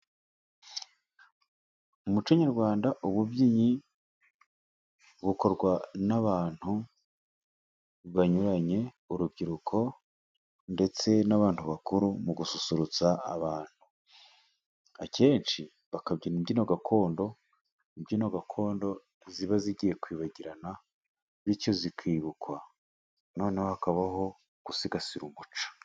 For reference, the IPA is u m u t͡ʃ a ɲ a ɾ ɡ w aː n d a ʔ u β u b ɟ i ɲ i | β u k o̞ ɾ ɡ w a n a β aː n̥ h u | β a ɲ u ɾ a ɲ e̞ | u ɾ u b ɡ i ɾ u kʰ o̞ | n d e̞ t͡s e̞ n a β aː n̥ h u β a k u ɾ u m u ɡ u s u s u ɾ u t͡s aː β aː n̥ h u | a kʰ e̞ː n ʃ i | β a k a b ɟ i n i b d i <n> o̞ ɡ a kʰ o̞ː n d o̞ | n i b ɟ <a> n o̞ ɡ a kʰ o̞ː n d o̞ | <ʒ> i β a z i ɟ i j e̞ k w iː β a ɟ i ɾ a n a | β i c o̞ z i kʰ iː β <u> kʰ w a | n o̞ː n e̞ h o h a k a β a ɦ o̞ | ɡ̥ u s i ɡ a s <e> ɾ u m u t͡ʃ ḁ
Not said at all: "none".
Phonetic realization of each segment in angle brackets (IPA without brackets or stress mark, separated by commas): n, i, z, u, i